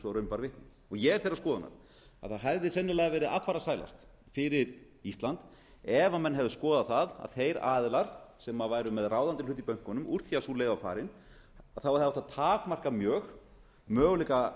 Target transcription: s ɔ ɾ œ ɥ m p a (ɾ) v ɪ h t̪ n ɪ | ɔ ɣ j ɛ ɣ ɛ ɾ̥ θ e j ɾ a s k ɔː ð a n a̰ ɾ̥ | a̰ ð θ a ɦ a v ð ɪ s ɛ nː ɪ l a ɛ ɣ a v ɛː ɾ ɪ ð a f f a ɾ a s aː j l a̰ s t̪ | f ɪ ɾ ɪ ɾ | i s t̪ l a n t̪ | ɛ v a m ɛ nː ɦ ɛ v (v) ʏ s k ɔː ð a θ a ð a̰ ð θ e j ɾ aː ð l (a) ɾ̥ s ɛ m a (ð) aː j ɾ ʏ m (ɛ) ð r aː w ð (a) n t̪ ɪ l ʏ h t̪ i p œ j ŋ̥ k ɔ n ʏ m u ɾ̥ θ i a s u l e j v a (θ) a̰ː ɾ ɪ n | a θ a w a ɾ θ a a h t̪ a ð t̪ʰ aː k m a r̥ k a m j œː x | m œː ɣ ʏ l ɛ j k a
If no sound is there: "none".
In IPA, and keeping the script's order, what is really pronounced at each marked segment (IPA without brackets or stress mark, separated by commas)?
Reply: ɾ, ð, a, v, ɛ, a, f